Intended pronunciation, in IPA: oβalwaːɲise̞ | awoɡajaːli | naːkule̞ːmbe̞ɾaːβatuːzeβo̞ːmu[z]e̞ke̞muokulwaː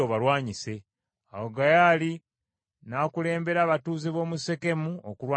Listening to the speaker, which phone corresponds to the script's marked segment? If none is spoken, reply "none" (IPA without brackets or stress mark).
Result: s